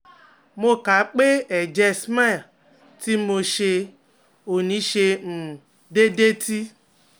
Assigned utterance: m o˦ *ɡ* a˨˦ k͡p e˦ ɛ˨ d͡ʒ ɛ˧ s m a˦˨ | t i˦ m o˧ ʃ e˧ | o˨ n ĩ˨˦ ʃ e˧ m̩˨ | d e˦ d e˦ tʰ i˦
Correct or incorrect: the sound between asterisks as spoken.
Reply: incorrect: k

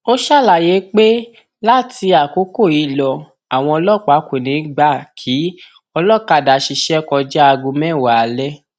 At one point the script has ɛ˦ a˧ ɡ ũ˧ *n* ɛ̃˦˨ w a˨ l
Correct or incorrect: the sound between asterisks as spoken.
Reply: incorrect: m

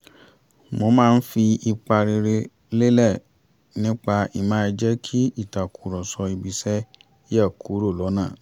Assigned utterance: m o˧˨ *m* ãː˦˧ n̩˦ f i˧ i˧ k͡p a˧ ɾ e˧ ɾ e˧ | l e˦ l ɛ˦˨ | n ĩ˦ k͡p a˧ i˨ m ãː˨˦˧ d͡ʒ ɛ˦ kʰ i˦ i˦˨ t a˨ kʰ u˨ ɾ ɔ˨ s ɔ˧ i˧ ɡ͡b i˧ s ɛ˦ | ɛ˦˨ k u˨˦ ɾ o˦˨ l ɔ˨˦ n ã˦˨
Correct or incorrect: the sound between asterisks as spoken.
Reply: correct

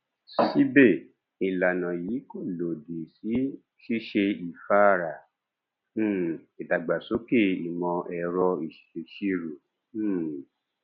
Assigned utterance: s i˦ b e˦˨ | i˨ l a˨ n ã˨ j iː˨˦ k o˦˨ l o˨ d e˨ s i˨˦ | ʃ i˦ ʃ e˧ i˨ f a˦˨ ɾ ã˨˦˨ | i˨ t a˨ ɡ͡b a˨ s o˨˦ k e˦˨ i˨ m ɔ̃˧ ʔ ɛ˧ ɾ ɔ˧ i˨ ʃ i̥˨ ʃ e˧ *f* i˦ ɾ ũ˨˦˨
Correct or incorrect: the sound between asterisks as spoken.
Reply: incorrect: ʃ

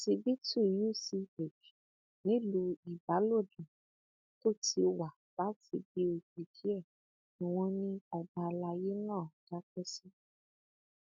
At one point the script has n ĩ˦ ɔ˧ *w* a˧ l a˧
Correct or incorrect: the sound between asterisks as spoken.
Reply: incorrect: b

